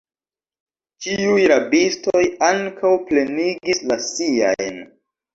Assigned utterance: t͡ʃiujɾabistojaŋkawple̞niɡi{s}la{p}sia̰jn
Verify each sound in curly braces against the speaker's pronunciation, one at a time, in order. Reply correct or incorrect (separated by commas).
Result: correct, incorrect